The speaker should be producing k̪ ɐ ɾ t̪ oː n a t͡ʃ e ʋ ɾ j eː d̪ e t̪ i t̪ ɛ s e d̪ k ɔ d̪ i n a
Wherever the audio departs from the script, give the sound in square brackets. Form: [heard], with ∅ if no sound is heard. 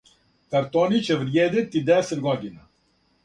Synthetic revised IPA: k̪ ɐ ɾ t̪ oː n [i] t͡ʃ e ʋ ɾ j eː d̪ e t̪ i [d̪] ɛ s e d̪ [ɡ] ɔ d̪ i n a